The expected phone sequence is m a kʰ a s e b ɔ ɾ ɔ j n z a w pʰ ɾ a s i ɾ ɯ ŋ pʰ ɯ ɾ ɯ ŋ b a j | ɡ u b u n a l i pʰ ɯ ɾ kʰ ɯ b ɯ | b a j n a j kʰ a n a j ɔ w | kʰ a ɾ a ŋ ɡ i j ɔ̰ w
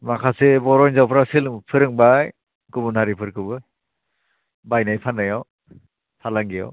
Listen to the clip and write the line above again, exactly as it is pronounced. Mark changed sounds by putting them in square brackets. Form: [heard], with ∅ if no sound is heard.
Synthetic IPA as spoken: m a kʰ a s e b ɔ ɾ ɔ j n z a w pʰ ɾ a s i [l] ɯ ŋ pʰ ɯ ɾ ɯ ŋ b a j | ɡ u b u n a [ɾ] i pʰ ɯ ɾ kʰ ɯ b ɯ | b a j n a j [pʰ] a n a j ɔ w | [pʰ] a [l] a ŋ ɡ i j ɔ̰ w